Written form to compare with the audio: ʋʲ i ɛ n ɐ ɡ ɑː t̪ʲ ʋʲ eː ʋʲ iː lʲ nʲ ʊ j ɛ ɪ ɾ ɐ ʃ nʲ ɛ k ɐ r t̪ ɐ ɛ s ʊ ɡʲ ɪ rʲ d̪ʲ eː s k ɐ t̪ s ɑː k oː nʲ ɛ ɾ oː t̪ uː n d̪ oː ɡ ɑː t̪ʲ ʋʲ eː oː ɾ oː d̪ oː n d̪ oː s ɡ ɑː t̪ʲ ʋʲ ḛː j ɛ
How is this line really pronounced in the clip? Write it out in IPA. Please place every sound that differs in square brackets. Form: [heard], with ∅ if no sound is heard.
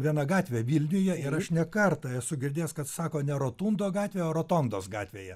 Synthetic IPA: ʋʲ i ɛ n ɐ ɡ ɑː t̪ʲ ʋʲ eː ʋʲ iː lʲ nʲ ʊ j ɛ ɪ ɾ ɐ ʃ nʲ ɛ k ɐ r t̪ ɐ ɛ s ʊ ɡʲ ɪ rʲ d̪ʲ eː s k ɐ t̪ s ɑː k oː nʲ ɛ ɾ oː t̪ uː n d̪ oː ɡ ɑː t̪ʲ ʋʲ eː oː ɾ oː [t̪] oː n d̪ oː s ɡ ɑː t̪ʲ ʋʲ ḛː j ɛ